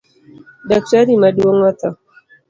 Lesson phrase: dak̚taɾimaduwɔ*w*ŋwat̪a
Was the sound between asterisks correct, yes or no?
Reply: no